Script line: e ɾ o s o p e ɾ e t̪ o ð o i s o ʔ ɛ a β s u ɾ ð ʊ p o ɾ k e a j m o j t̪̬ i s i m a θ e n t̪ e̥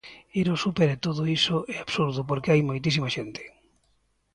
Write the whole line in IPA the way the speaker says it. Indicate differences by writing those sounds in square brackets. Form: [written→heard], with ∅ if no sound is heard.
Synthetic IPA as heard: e ɾ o s [o→u] p e ɾ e t̪ o ð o i s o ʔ ɛ a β s u ɾ ð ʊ p o ɾ k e a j m o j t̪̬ i s i m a [θ→ʃ] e n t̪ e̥

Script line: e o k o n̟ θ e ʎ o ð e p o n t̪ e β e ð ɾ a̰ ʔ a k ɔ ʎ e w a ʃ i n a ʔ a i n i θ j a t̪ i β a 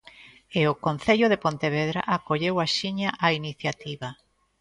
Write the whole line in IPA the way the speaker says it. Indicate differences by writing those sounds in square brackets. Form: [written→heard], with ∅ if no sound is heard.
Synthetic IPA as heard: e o k o n̟ θ e ʎ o ð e p o n t̪ e β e ð ɾ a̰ ʔ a k [ɔ→o] ʎ e w a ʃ i [n→ɲ] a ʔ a i n i θ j a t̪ i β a

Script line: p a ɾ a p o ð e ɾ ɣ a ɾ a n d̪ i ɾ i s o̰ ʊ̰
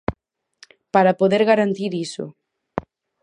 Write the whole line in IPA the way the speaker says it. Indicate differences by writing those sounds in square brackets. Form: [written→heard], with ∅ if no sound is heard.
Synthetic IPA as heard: p a ɾ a p o ð e ɾ ɣ a ɾ a n [d̪→t̪] i ɾ i s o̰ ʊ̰

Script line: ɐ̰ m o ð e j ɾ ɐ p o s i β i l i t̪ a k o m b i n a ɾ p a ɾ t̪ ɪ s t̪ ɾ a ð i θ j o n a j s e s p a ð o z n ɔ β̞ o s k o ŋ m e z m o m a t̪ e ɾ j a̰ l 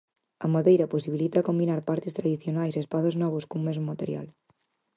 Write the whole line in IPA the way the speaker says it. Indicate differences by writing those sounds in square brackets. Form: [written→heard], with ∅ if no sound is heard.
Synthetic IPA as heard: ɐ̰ m o ð e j ɾ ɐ p o s i β i l i t̪ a k o m b i n a ɾ p a ɾ t̪ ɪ s t̪ ɾ a ð i θ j o n a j s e s p a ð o z n ɔ β̞ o s k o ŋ m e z m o m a t̪ e ɾ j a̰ l

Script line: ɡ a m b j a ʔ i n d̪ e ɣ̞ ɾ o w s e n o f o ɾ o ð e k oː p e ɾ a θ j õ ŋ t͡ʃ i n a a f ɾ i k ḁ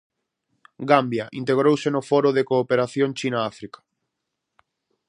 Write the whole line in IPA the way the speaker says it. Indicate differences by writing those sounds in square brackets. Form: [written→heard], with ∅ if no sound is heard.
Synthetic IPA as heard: ɡ a m b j a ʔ i n [d̪→t̪] e ɣ̞ ɾ o w s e n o f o ɾ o ð e k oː p e ɾ a θ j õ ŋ t͡ʃ i n a a f ɾ i k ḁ

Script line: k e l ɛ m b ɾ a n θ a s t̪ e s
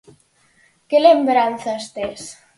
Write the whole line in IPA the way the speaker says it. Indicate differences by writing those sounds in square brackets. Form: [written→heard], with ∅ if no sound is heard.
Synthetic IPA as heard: k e l [ɛ→e] m b ɾ a n θ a s t̪ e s

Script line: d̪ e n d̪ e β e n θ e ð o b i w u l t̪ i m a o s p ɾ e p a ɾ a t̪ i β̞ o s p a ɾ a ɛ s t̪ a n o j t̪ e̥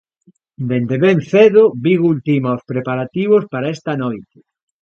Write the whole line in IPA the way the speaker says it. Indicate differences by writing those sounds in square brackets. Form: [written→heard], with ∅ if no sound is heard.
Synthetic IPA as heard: d̪ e n d̪ e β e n θ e ð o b i [w→ɣ] u l t̪ i m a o s p ɾ e p a ɾ a t̪ i β̞ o s p a ɾ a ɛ s t̪ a n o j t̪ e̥

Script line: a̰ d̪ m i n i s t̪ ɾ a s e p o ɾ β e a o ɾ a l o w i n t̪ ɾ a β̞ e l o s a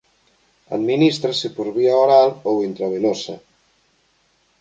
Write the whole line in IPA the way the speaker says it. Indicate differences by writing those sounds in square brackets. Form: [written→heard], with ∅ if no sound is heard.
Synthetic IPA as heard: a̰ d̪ m i n i s t̪ ɾ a s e p o ɾ β [e→i] a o ɾ a l o w i n t̪ ɾ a β̞ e l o s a

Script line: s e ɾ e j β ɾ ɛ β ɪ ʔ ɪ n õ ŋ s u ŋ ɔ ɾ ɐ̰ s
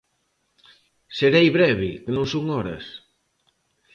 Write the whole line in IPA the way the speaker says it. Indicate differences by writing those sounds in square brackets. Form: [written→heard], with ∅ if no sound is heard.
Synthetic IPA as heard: s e ɾ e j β ɾ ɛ β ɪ [ʔ→k] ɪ n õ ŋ s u ŋ ɔ ɾ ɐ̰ s

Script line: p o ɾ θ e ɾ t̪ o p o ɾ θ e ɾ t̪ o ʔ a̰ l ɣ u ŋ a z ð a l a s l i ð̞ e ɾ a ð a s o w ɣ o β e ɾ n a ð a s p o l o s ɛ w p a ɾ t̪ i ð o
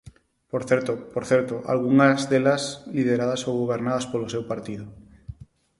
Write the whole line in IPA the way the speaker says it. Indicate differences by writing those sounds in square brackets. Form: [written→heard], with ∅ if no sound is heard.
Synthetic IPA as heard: p o ɾ θ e ɾ t̪ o p o ɾ θ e ɾ t̪ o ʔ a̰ l ɣ u ŋ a z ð [a→e] l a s l i ð̞ e ɾ a ð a s o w ɣ o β e ɾ n a ð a s p o l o s [ɛ→e] w p a ɾ t̪ i ð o

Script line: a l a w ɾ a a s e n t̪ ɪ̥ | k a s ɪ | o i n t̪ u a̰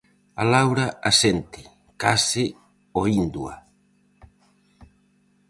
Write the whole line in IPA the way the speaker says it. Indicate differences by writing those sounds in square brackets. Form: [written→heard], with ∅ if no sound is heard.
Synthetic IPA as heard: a l a w ɾ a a s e n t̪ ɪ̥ | k a s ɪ | o i n [t̪→d̪] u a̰

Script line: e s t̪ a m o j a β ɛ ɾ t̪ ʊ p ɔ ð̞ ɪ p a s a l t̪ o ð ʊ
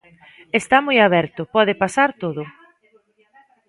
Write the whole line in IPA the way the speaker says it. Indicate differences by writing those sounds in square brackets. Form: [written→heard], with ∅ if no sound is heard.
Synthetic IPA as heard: e s t̪ a m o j a β ɛ ɾ t̪ ʊ p ɔ ð̞ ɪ p a s a [l→ɾ] t̪ o ð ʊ

